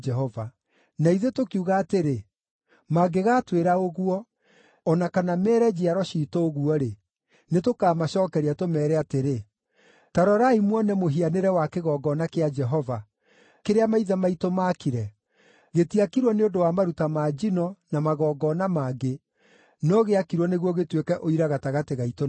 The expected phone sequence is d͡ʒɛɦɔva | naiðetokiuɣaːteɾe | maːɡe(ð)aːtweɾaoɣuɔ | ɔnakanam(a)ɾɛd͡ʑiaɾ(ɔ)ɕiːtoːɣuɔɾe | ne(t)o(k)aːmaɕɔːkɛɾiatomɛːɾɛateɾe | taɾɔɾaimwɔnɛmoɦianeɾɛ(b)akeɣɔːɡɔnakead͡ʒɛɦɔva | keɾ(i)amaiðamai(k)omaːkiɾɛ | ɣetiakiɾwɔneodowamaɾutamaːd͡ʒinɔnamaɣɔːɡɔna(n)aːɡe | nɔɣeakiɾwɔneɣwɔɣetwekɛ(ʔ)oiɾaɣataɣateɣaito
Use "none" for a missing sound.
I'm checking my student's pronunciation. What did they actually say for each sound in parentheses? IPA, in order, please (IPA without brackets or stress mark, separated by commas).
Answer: ɣ, ɛ, ɔ, t, k, w, e, t, m, ʔ